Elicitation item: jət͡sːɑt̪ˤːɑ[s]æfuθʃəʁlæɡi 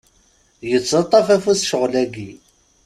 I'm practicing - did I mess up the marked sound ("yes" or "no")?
yes